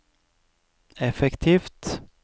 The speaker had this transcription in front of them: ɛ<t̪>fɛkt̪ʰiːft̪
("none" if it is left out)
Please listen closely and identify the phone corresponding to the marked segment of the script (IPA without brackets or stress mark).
none